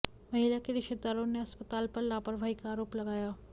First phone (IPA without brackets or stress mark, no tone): m